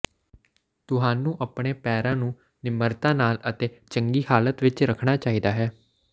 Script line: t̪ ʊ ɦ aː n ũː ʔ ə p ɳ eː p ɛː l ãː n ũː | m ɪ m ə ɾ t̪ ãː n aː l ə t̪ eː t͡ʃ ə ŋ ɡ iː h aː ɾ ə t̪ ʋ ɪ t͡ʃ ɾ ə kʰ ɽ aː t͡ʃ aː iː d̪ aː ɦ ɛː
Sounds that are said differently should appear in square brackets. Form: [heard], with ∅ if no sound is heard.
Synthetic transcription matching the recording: t̪ ʊ ɦ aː n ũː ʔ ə p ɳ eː p ɛː [ɾ] ãː n ũː | [n] ɪ m ə ɾ t̪ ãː n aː l ə t̪ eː t͡ʃ ə ŋ ɡ iː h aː [l] ə t̪ ʋ ɪ t͡ʃ ɾ ə kʰ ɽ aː t͡ʃ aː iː d̪ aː ɦ ɛː